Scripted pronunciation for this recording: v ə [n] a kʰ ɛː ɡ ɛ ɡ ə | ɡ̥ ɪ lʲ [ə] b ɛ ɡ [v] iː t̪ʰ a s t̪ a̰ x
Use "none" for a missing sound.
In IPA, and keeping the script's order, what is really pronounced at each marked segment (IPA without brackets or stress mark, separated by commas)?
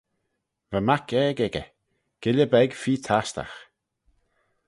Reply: m, ə, f